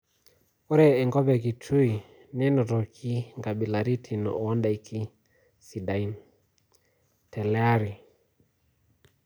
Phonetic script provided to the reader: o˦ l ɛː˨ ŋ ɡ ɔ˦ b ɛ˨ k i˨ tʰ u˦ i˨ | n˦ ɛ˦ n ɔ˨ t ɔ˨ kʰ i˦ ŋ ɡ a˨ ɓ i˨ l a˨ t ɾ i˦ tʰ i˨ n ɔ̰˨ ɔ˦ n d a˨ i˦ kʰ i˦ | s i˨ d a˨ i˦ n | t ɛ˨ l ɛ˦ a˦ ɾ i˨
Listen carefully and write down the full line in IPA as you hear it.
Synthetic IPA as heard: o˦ ɾ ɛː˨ ŋ ɡ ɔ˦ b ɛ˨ k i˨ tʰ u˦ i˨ | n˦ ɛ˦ n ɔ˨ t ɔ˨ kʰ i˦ ŋ ɡ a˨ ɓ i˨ l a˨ ɾ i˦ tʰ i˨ n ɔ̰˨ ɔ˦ n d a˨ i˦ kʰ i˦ | s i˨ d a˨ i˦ n | t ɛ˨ l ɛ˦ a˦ ɾ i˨